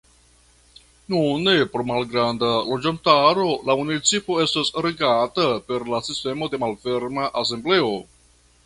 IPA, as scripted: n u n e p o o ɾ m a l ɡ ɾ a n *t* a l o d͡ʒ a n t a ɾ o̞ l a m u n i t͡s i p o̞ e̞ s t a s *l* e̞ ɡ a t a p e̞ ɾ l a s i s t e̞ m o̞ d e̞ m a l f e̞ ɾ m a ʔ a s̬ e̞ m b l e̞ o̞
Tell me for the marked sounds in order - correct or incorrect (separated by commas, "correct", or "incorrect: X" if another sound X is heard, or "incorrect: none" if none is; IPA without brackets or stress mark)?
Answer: incorrect: d, incorrect: ɾ